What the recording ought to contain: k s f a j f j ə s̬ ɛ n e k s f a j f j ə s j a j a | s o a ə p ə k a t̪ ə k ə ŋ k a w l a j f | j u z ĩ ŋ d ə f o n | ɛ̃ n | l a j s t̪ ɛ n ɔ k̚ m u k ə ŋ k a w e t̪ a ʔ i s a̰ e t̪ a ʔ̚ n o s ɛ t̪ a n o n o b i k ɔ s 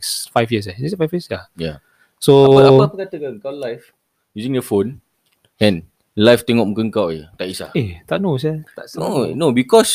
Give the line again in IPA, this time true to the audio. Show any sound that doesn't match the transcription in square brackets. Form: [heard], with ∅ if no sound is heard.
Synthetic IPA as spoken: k s f a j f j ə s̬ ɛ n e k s f a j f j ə s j a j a | s o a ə p ə k a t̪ ə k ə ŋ k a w l a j f | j u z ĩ ŋ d ə f o n | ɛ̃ n | l a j [f] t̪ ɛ [ŋ] ɔ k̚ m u k ə ŋ k a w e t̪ a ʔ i s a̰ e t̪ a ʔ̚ n o s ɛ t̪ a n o n o b i k ɔ s